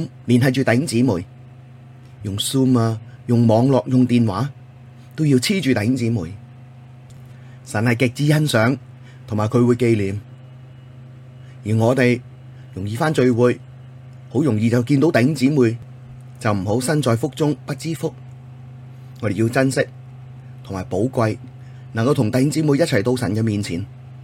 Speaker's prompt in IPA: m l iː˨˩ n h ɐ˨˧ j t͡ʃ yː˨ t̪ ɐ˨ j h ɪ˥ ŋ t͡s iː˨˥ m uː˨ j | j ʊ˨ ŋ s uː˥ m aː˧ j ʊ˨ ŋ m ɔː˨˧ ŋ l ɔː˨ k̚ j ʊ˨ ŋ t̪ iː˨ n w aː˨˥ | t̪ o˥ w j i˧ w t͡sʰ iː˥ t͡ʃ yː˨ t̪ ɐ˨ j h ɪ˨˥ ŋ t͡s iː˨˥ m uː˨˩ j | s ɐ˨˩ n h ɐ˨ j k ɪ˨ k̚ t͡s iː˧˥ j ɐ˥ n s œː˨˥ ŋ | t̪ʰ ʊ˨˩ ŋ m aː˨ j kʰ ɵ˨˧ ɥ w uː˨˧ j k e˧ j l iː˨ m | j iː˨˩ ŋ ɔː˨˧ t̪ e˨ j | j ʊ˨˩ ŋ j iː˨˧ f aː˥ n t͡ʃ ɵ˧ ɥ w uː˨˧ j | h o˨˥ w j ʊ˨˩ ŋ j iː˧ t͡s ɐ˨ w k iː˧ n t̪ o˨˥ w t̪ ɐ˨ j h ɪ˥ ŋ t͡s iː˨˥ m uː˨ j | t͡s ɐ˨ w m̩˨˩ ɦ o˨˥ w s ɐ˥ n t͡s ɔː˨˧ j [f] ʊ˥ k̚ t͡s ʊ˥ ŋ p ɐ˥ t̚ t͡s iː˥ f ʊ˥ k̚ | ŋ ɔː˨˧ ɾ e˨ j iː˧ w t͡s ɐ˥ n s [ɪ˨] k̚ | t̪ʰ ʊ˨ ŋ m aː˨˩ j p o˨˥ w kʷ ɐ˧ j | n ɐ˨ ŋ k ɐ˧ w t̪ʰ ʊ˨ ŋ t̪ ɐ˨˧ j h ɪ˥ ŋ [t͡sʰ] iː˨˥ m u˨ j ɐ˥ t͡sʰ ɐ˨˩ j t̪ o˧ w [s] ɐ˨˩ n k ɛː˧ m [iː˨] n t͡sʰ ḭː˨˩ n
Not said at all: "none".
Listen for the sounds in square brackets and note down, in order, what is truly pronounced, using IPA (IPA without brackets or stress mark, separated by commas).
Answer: f, ɪ˥, t͡s, s, iː˨